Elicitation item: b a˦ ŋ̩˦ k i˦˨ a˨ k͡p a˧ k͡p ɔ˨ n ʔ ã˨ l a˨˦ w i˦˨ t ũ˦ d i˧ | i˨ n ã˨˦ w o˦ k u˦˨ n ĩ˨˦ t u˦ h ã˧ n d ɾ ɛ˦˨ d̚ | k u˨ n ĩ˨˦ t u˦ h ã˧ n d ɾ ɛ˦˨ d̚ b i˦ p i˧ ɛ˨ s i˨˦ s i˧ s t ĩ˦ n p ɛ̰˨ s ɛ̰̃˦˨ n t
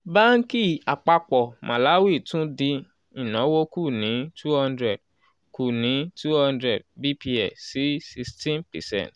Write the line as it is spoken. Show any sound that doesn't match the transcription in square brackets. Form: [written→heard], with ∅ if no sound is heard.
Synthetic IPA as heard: b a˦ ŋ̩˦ k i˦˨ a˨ k͡p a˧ k͡p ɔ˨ [n→m] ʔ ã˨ l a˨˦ w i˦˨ t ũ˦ d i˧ | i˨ n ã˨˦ w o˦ k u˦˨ n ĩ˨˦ t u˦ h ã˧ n d ɾ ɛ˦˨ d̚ | k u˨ n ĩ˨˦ t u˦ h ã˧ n d ɾ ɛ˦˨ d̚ b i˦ p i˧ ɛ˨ s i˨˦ s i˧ s t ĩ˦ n p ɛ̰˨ s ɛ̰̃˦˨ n t